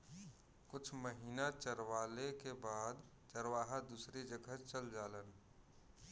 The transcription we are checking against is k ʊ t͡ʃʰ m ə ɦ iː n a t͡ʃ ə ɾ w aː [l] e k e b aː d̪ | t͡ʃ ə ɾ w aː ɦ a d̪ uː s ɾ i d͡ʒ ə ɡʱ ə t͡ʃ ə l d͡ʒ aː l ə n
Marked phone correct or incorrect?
correct